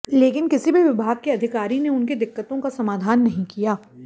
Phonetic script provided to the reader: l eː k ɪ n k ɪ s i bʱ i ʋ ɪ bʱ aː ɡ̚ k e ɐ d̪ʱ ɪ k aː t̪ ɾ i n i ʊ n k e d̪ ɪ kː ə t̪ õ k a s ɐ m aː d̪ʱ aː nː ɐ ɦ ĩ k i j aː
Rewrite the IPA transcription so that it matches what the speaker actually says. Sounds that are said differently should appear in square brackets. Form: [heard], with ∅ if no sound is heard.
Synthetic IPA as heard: l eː k ɪ n k ɪ s i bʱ i ʋ ɪ bʱ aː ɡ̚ k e ɐ d̪ʱ ɪ k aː [∅] ɾ i n [e] ʊ n k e d̪ ɪ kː ə t̪ õ k a s ɐ m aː d̪ʱ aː nː ɐ ɦ ĩ k i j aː